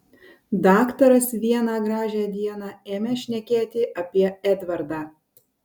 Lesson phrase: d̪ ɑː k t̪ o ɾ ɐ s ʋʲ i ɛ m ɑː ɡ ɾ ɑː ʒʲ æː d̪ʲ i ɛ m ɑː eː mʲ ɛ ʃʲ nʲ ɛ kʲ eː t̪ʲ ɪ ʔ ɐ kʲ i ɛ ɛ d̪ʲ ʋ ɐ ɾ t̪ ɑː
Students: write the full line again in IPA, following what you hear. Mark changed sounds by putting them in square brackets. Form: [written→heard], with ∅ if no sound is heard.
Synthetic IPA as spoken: d̪ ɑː k t̪ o ɾ ɐ s ʋʲ i ɛ [m→n] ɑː ɡ ɾ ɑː ʒʲ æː d̪ʲ i ɛ [m→n] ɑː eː mʲ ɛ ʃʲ nʲ ɛ kʲ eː t̪ʲ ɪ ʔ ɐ [kʲ→pʲ] i ɛ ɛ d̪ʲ ʋ ɐ ɾ [t̪→d̪] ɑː